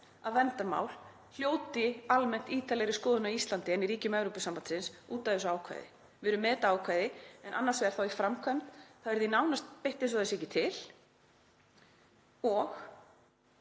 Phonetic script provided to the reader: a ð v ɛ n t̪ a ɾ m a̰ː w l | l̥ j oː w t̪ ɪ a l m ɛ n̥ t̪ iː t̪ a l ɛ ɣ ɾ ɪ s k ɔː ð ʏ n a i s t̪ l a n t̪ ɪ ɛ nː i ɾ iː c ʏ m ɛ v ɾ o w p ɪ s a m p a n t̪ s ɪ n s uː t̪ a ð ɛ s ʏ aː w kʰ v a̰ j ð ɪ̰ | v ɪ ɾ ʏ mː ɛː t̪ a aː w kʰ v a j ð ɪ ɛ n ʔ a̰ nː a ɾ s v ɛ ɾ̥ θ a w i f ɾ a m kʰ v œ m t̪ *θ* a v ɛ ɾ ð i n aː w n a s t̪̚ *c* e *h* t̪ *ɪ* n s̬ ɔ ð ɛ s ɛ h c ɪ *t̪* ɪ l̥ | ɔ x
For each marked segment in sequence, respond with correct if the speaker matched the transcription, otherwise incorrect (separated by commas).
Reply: correct, incorrect, correct, correct, incorrect